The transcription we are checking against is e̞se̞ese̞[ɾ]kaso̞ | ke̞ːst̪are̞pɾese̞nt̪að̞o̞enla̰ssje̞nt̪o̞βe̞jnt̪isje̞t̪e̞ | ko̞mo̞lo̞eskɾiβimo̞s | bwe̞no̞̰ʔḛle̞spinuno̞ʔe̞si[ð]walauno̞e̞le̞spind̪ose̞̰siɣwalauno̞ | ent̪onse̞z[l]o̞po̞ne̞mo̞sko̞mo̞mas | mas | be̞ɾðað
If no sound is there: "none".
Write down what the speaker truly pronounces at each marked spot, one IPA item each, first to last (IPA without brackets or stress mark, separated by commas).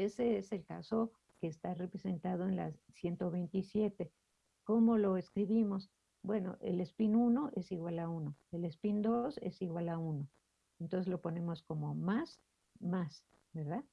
l, ɣ, l